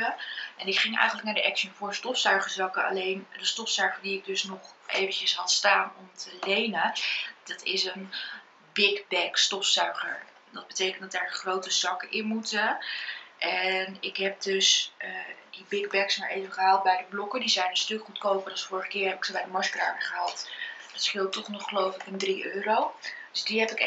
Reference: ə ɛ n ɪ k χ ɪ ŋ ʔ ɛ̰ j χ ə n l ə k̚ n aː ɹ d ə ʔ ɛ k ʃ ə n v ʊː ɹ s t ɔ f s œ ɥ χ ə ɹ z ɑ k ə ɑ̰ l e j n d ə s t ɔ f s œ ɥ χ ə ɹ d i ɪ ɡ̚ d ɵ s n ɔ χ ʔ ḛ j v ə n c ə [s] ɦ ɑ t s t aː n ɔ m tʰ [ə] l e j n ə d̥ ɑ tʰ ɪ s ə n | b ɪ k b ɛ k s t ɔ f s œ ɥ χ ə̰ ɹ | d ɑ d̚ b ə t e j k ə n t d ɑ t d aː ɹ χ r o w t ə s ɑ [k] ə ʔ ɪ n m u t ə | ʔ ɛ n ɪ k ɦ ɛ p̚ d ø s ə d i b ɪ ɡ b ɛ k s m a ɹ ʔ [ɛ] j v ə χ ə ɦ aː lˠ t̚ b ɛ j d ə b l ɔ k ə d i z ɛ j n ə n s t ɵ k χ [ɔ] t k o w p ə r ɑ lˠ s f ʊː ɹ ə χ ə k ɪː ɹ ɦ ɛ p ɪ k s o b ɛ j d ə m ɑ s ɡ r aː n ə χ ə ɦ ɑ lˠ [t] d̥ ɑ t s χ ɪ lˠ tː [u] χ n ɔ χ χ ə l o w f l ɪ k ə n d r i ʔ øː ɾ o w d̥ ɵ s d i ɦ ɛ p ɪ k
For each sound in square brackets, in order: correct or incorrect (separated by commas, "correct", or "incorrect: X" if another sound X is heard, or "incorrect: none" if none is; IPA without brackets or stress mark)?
correct, correct, correct, incorrect: e, incorrect: u, correct, incorrect: ɔ